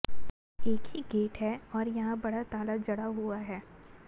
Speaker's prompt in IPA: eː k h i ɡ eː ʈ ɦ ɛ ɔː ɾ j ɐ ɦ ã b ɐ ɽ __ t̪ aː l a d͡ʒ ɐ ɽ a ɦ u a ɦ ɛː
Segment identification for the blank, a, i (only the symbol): a